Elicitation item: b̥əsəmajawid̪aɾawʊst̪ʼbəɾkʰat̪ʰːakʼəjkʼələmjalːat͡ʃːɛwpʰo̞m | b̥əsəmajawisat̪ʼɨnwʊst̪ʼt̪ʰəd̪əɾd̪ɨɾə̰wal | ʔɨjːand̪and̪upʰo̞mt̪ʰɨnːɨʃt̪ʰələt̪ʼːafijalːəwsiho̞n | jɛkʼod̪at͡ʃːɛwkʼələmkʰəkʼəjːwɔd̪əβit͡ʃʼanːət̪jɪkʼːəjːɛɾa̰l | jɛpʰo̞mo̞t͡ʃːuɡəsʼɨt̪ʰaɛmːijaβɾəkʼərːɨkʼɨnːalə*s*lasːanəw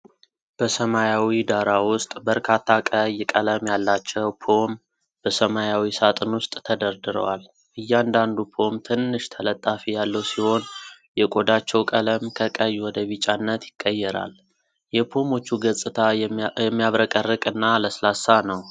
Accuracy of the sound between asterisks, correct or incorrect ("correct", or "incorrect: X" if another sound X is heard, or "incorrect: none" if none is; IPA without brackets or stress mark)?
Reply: correct